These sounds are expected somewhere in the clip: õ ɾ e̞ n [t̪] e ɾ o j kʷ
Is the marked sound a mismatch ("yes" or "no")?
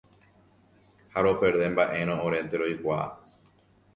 no